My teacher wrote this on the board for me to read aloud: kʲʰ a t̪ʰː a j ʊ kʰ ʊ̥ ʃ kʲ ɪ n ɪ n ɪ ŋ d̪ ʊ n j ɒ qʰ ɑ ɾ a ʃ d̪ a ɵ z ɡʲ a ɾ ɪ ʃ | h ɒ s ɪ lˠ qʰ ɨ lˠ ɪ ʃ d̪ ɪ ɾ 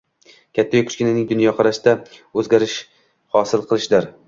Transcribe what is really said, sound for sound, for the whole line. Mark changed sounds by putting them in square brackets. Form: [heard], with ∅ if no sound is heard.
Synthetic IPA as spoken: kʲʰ a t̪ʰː a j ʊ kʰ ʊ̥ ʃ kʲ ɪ n ɪ n ɪ ŋ d̪ ʊ n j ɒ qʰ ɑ ɾ a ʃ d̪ a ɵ z ɡʲ a ɾ ɪ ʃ | h ɒ s ɪ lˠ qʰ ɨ lˠ ɪ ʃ d̪ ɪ ɾ